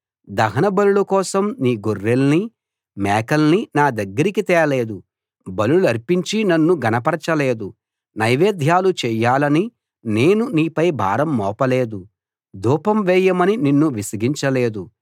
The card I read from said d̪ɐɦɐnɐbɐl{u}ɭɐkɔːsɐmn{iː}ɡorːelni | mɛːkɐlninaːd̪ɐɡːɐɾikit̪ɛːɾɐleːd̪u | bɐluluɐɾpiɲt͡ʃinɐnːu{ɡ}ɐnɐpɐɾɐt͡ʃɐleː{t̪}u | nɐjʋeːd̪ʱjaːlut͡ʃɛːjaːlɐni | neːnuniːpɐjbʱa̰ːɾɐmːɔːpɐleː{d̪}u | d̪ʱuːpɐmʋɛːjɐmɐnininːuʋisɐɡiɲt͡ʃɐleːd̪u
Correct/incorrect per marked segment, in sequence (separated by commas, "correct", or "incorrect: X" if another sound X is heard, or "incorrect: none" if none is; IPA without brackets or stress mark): correct, correct, correct, incorrect: d̪, correct